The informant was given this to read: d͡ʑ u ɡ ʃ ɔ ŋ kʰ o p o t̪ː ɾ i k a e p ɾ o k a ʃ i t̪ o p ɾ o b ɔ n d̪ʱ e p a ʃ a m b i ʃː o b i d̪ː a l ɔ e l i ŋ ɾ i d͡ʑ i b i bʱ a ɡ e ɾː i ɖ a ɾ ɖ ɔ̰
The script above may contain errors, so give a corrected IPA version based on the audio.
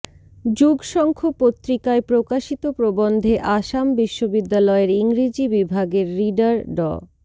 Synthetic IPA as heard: d͡ʑ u ɡ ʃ ɔ ŋ kʰ o p o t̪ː ɾ i k a e p ɾ o k a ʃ i t̪ o p ɾ o b o n d̪ʱ e ʔ a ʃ a m b i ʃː o b i d̪ː a l ɔ e ɾ i ŋ ɾ i d͡ʑ i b i bʱ a ɡ e ɾː i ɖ a ɾ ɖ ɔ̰